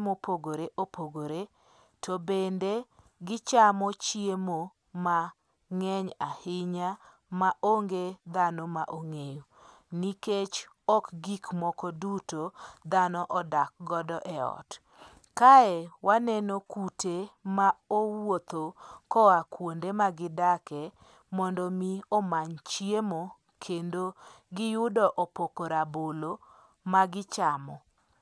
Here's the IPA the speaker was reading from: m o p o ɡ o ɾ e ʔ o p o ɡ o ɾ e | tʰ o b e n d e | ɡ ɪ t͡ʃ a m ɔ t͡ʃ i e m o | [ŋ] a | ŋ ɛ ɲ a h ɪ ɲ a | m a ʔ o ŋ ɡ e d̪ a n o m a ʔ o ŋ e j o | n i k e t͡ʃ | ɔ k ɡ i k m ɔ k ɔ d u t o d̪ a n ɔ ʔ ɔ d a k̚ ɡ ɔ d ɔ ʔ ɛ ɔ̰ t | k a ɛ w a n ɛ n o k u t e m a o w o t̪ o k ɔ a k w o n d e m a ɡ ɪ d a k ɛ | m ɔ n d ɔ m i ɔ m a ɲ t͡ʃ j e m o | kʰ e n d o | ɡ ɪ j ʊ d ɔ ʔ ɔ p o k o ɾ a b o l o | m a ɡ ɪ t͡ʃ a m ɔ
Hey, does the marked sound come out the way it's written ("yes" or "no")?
no